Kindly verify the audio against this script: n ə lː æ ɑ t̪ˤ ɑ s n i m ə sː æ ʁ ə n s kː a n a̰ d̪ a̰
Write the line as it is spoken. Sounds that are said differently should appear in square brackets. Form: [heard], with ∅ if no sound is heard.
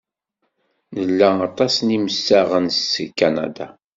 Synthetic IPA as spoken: n ə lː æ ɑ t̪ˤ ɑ s n i m ə sː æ ʁ ə n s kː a n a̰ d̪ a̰